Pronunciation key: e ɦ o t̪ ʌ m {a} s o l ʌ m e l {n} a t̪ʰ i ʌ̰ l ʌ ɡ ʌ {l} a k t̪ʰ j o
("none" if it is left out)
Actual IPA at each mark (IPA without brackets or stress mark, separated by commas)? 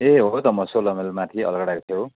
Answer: ʌ, m, ɽ